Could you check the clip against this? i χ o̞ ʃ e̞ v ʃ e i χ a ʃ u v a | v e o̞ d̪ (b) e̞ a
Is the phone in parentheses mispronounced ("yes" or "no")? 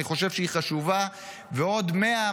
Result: yes